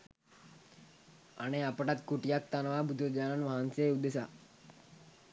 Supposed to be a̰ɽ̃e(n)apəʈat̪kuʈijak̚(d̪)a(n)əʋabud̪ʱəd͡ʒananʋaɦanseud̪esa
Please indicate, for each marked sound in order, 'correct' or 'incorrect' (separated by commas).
incorrect, incorrect, correct